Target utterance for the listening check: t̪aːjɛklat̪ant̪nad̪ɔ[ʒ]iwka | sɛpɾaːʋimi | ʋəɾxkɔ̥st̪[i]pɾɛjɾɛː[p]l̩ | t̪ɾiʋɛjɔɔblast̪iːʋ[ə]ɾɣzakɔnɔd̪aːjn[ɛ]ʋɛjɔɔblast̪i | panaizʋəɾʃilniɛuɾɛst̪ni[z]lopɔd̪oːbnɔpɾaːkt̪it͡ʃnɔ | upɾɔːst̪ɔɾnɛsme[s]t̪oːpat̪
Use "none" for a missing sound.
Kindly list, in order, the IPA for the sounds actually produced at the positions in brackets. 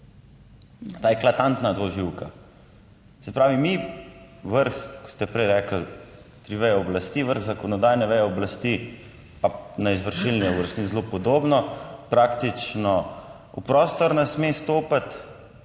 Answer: ʒ, ɛ, k, ə, ɛ, z, s

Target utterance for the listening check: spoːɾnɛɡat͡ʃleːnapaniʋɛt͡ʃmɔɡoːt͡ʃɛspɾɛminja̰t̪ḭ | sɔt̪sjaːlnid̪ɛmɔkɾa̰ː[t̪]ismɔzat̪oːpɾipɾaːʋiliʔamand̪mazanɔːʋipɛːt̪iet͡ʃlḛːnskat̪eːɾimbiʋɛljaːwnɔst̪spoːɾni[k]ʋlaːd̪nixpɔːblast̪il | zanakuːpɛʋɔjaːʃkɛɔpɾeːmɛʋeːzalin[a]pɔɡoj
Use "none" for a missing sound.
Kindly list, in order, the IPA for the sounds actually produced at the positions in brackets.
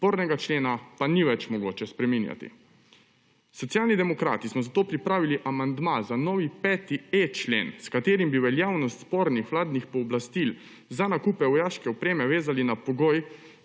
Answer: t̪, x, a

